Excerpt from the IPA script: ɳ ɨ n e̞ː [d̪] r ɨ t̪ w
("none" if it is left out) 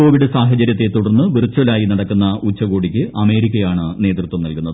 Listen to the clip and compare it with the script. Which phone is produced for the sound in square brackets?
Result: t̪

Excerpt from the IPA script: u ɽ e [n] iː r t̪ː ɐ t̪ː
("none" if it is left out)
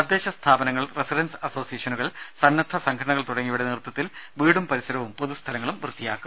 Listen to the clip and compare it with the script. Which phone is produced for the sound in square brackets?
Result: n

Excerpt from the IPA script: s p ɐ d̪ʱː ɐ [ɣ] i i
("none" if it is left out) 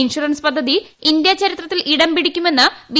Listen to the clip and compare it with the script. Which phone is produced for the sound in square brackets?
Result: ð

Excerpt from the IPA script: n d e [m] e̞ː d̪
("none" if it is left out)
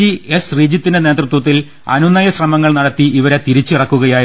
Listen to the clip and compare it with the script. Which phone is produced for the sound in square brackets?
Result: n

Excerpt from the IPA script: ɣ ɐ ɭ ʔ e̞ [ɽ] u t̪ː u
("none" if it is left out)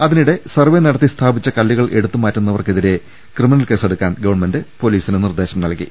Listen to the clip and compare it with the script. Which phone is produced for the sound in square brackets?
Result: ɽ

